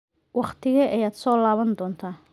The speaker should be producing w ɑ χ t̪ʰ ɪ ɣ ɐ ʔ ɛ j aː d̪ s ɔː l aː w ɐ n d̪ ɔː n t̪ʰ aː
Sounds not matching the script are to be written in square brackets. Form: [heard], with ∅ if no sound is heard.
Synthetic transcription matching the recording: w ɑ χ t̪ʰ ɪ ɣ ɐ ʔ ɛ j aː d̪ s ɔː l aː [β] ɐ n d̪ ɔː n t̪ʰ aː